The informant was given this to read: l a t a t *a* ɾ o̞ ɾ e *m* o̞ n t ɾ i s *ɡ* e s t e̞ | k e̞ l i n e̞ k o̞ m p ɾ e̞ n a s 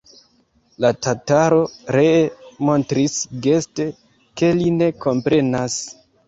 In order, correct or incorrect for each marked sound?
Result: correct, correct, correct

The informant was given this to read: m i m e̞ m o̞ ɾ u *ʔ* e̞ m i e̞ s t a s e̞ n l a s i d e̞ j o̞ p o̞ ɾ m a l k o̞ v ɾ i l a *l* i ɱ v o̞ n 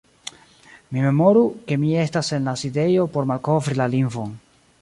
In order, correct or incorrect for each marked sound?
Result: incorrect, correct

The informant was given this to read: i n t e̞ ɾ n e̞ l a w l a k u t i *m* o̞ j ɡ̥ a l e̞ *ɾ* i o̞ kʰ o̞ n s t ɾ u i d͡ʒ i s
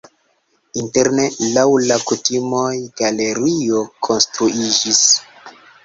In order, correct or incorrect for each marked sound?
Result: correct, correct

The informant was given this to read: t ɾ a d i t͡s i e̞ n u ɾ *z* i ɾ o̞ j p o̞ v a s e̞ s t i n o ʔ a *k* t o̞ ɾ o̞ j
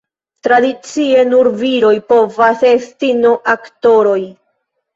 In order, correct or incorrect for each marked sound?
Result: incorrect, correct

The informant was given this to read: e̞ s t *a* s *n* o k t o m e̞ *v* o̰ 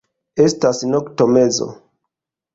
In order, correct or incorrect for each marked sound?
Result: correct, correct, incorrect

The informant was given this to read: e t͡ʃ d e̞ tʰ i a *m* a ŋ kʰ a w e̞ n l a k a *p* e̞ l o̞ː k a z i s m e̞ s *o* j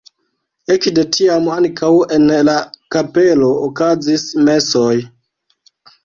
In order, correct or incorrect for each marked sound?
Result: correct, correct, correct

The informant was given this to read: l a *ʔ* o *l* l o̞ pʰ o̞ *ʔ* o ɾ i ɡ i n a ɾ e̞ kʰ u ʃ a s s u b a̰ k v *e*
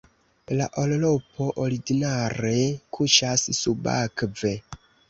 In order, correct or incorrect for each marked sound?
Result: correct, correct, correct, correct

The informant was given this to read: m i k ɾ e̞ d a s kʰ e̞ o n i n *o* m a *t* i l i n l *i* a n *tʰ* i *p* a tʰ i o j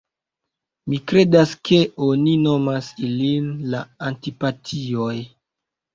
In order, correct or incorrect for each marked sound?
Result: correct, incorrect, incorrect, incorrect, correct

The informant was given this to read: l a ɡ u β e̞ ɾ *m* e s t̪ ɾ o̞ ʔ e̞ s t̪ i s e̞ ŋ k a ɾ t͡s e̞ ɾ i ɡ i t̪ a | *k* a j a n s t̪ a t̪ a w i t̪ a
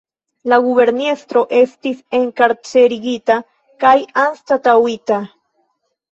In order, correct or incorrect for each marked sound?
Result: incorrect, correct

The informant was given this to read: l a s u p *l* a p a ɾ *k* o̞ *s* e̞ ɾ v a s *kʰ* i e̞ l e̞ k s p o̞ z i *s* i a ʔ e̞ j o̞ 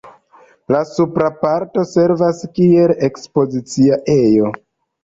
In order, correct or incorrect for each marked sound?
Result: incorrect, incorrect, correct, incorrect, incorrect

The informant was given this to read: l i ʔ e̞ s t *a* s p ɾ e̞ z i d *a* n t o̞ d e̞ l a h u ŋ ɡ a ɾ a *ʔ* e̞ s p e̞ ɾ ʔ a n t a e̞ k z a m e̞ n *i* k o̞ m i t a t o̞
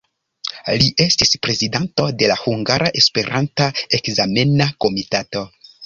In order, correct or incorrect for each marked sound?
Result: incorrect, correct, correct, incorrect

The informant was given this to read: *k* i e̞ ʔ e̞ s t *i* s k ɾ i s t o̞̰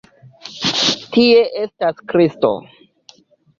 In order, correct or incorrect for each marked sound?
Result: incorrect, incorrect

